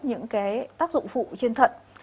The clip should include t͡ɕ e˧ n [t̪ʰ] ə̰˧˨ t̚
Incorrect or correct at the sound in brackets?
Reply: correct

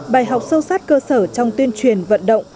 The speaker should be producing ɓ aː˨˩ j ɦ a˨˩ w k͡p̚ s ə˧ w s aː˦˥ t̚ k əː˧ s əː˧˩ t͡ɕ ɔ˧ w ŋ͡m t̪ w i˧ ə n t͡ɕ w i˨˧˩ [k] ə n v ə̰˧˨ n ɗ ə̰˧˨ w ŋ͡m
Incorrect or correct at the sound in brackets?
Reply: incorrect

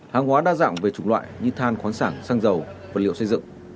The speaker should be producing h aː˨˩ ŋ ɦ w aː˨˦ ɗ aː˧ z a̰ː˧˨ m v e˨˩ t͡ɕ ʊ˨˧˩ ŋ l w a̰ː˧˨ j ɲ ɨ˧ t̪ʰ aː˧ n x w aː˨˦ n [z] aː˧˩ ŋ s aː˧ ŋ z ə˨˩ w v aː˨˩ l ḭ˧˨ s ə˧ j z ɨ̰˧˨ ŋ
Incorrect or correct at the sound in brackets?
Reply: incorrect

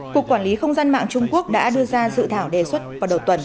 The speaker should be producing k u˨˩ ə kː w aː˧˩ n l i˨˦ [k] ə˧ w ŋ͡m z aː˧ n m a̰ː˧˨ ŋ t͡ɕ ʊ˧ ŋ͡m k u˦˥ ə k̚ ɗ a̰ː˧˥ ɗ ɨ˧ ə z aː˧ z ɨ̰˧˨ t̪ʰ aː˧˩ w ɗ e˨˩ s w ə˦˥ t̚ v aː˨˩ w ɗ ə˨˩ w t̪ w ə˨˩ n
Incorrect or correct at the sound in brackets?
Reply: incorrect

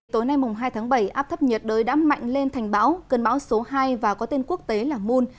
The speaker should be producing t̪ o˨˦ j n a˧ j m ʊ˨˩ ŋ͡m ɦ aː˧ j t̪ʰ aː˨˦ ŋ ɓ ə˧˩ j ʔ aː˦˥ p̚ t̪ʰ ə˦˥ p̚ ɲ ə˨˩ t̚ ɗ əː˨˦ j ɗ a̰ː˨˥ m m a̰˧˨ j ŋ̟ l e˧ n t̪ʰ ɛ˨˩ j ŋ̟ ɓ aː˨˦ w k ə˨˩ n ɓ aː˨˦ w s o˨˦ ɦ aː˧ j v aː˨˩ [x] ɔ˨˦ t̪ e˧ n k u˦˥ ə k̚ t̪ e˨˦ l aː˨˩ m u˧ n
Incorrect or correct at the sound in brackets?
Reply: incorrect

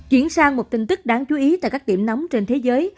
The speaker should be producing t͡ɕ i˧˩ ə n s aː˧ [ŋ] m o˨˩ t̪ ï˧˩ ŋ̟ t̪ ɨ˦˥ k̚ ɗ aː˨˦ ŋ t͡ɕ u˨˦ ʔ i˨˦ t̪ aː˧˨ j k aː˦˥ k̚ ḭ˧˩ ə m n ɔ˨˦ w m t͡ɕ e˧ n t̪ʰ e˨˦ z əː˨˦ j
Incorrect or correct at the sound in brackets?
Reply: correct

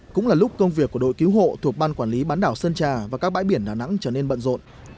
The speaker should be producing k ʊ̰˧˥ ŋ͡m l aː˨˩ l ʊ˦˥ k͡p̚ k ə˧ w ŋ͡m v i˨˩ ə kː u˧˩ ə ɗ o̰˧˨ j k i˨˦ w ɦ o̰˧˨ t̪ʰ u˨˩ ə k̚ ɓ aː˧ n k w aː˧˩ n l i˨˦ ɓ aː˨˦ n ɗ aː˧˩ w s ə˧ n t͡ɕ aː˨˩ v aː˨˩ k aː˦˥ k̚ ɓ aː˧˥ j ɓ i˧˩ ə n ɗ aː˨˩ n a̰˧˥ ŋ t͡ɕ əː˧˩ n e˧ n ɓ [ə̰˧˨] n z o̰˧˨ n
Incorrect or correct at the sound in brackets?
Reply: correct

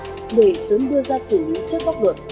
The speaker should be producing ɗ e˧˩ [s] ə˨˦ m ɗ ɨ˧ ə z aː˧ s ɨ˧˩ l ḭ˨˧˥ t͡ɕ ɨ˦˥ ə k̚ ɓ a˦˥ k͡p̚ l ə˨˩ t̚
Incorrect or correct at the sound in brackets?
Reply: correct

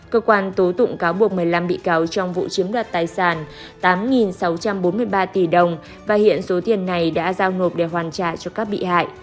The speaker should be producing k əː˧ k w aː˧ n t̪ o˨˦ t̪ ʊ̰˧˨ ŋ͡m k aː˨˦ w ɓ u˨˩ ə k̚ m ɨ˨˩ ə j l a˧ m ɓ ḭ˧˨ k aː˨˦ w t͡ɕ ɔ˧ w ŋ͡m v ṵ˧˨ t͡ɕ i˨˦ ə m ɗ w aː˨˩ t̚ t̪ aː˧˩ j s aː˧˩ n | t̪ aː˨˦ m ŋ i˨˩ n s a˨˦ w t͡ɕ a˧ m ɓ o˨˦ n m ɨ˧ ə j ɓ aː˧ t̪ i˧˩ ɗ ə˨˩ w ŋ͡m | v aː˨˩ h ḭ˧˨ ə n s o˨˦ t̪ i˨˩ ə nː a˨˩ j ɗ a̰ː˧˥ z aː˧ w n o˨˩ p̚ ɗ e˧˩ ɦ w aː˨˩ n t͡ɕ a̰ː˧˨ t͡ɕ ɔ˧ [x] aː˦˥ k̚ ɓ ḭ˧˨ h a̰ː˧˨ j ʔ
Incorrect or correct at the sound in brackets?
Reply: incorrect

